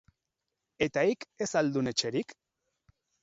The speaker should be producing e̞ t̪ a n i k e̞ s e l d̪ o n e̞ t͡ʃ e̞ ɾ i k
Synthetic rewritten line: e̞ t̪ a i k e̞ s a l d̪ u n e̞ t͡ʃ e̞ ɾ i k